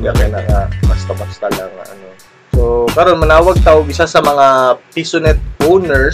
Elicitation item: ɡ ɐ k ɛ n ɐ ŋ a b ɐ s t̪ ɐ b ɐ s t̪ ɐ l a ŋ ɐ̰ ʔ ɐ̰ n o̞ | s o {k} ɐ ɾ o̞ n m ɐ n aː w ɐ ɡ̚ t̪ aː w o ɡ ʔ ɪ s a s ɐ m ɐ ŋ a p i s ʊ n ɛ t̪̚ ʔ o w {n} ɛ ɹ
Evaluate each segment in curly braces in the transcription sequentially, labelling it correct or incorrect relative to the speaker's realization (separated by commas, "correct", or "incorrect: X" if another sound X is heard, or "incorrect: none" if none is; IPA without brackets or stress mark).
correct, correct